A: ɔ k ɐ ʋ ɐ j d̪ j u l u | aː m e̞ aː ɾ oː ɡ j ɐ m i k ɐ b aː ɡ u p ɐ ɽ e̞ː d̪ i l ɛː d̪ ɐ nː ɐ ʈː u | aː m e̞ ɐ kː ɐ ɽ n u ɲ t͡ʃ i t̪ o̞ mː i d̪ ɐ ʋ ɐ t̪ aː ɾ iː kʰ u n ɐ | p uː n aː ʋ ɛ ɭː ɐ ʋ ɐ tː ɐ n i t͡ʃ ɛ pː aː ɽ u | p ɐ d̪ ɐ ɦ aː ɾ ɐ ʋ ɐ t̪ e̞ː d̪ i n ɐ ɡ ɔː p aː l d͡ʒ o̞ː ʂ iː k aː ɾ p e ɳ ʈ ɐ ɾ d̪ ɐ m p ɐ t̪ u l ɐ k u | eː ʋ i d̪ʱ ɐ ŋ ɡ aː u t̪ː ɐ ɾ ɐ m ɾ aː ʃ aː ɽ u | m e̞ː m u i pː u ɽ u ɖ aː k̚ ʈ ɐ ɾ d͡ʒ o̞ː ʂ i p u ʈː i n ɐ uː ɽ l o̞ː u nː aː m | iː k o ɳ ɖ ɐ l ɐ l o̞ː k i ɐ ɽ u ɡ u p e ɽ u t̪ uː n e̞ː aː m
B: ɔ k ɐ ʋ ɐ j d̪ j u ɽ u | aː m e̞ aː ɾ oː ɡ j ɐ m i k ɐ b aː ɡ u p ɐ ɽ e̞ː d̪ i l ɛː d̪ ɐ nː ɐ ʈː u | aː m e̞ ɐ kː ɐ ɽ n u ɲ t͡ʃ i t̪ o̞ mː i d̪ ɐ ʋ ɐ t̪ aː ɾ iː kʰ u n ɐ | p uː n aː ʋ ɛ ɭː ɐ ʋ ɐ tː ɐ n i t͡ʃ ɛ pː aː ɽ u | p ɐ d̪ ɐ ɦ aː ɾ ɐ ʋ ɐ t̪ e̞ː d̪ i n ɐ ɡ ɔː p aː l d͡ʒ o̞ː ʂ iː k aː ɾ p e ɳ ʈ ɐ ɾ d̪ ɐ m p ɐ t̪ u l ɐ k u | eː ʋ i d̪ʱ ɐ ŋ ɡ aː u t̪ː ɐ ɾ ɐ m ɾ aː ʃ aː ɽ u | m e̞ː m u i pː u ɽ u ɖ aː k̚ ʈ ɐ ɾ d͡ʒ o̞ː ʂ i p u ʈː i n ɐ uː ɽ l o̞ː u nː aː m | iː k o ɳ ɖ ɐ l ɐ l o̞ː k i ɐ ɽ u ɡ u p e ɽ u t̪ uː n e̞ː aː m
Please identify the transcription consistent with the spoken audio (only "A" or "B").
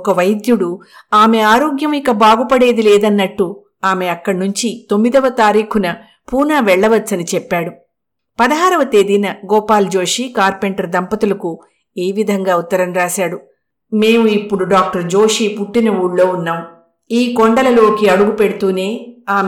B